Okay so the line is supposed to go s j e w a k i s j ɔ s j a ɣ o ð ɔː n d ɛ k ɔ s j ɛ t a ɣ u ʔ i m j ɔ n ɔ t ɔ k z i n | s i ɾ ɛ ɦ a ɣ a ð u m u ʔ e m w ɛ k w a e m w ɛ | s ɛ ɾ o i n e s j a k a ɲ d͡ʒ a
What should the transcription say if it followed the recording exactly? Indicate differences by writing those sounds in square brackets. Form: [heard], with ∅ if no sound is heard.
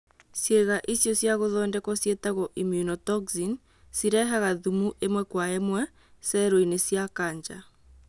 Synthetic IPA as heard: s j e [ɣ] a [ʔ] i s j ɔ s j a ɣ o ð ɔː n d ɛ k ɔ s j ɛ t a ɣ [ɔ] ʔ i m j [u] n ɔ t ɔ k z i n | s i ɾ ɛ ɦ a ɣ a ð u m u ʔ e m w ɛ k w a e m w ɛ | s ɛ ɾ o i n e s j a k a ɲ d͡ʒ a